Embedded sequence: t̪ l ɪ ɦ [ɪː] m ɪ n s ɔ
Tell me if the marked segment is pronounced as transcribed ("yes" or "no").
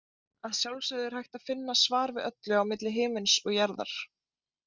yes